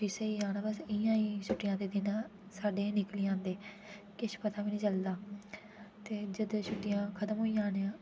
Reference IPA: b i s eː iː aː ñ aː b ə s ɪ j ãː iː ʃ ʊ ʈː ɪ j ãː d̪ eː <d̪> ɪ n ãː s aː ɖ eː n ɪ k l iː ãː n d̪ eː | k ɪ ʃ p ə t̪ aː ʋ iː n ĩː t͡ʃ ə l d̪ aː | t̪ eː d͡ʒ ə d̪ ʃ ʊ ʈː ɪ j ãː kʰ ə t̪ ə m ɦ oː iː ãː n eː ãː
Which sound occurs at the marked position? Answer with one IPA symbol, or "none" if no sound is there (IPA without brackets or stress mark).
d̪